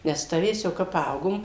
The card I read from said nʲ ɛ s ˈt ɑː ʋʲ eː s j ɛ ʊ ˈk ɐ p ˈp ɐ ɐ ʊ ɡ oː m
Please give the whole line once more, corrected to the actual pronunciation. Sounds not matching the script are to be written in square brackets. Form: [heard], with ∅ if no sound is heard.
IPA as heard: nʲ ɛ s ˈt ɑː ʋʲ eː s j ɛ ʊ ˈk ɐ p ˈp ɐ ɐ ʊ ɡ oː m

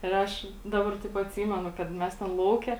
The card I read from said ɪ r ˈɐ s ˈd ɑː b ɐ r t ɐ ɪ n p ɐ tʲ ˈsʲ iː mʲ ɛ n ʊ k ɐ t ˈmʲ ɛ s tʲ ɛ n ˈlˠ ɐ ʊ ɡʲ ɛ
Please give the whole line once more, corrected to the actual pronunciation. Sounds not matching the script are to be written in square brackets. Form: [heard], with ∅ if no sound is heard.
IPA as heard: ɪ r ˈɐ [ʃ] ˈd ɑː b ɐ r t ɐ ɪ [∅] p ɐ tʲ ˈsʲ iː mʲ ɛ n ʊ k ɐ t ˈmʲ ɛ s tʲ ɛ n ˈlˠ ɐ ʊ [kʲ] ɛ

